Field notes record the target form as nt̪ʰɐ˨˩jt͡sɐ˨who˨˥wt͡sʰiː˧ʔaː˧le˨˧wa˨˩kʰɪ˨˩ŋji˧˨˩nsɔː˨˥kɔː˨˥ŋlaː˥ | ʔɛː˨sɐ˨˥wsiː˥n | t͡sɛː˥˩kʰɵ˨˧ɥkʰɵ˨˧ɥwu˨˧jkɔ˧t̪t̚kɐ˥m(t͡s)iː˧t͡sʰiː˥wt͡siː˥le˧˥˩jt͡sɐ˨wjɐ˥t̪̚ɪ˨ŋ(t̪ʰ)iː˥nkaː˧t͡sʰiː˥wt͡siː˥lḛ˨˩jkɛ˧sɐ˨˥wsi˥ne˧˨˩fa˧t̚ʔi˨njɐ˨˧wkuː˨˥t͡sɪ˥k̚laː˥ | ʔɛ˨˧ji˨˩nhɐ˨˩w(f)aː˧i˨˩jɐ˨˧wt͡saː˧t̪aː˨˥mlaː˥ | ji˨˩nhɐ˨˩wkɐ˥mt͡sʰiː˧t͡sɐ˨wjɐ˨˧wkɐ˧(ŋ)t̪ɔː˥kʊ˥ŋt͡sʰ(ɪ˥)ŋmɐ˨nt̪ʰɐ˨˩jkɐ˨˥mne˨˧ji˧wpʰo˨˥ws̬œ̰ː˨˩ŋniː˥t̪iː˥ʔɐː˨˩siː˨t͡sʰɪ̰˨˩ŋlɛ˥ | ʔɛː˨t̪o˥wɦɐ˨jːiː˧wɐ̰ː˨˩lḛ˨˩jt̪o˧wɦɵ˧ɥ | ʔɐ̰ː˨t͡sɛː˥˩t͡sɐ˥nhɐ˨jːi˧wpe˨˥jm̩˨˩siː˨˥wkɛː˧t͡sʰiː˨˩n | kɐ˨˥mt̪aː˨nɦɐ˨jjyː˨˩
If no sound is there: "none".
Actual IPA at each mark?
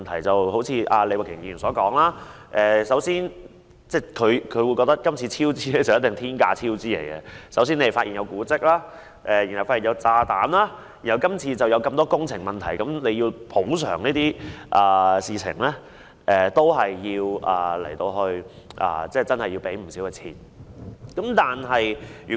t͡sʰ, t̪ʰ, f, m, ɪ˨˩

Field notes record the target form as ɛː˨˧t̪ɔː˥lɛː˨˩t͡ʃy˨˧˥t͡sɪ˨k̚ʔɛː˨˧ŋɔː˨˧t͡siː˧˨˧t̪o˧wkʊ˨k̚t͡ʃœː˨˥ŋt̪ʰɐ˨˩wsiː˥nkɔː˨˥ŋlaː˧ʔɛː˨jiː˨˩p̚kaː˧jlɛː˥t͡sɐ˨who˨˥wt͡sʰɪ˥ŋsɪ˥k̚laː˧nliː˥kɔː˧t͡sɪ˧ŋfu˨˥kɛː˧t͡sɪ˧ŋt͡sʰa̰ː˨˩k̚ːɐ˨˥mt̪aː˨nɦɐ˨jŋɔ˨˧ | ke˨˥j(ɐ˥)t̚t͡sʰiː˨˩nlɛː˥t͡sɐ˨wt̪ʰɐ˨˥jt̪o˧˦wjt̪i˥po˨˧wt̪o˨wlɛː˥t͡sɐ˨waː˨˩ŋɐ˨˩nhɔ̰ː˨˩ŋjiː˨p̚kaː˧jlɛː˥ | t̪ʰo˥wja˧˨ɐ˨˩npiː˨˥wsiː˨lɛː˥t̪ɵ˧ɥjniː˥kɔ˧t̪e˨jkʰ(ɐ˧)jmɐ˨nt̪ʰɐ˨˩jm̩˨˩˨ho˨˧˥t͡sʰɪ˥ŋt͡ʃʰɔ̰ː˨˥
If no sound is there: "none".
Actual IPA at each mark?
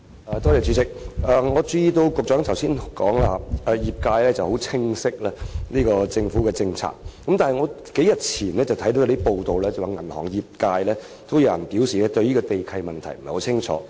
ɐ˨, ɐ˧

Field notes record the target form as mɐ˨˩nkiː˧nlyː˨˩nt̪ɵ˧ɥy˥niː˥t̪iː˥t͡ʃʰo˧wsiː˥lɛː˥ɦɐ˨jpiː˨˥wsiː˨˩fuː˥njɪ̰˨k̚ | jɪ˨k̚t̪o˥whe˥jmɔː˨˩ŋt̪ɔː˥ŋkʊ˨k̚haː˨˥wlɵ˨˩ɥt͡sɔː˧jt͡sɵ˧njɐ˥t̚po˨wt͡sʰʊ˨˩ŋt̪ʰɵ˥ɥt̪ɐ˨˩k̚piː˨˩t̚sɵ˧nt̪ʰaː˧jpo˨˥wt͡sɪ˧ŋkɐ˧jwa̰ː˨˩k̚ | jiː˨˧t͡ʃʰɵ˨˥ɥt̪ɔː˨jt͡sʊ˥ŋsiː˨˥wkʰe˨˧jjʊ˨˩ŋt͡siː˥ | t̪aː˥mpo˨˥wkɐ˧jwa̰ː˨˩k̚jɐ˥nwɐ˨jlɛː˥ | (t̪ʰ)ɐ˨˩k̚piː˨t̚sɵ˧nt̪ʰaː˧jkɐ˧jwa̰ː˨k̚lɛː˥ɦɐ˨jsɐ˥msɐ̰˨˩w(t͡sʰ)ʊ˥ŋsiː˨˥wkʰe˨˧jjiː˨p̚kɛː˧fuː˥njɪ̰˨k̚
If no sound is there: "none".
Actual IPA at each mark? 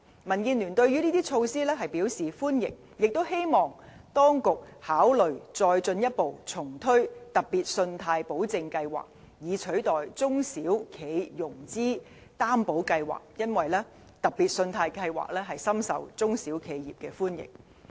t̪, t͡s

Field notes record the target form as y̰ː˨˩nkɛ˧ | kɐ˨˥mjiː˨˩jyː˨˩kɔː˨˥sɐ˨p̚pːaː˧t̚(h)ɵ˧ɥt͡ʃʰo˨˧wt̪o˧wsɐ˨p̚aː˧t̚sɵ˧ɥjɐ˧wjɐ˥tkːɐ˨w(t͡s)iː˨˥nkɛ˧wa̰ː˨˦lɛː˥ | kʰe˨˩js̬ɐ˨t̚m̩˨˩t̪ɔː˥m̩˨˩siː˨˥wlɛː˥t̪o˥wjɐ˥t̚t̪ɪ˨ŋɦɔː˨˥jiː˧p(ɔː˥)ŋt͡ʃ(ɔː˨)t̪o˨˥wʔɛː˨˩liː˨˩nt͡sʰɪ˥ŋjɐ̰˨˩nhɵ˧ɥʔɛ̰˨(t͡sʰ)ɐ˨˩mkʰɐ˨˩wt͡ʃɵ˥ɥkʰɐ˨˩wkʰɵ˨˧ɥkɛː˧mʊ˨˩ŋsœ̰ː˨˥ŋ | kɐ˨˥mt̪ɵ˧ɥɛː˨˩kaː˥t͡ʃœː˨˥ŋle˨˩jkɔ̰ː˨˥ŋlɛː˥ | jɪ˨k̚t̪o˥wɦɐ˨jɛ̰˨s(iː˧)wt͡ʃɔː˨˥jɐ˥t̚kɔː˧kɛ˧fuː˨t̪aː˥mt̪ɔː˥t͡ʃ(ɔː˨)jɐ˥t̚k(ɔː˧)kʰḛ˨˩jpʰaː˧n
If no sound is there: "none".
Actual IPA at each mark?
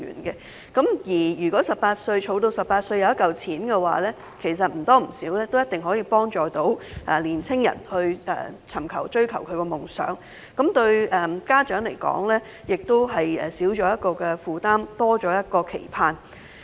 s, t͡sʰ, ɔː˥, ɔː˨, t͡sʰ, iː˨˥, ɔː˨˥, ɔː˧

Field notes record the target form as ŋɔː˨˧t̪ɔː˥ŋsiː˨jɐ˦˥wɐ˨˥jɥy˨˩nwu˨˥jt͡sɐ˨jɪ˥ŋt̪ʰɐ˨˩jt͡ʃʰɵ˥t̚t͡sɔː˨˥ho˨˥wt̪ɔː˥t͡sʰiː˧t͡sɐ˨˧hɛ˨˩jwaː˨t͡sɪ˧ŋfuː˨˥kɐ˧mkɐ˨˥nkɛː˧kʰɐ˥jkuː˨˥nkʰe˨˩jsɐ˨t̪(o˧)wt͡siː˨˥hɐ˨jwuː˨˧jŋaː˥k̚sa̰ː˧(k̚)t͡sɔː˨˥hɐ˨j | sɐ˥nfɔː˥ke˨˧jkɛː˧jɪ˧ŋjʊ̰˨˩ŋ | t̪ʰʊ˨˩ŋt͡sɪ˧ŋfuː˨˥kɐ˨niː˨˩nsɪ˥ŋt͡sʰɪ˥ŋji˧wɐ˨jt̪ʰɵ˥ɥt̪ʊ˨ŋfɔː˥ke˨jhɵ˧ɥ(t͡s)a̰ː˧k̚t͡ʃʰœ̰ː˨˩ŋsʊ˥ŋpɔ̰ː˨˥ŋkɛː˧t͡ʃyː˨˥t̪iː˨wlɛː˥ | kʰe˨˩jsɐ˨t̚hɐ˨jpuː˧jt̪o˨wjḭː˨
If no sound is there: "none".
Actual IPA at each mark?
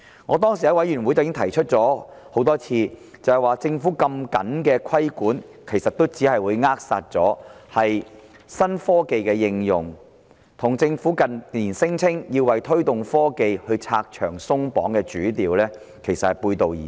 o˥, t̚, t͡sʰ

